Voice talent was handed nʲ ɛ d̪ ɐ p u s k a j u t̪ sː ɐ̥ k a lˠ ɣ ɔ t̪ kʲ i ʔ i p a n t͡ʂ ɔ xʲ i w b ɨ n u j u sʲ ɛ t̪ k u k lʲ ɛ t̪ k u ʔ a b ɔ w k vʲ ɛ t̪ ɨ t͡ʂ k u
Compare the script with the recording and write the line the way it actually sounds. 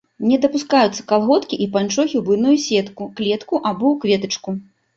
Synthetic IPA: nʲ ɛ d̪ ɐ p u s k a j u t̪ sː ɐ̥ k a lˠ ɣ ɔ t̪ kʲ i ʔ i p a n t͡ʂ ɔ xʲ i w b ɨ n u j u sʲ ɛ t̪ k u k lʲ ɛ t̪ k u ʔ a b ɔ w k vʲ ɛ t̪ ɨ t͡ʂ k u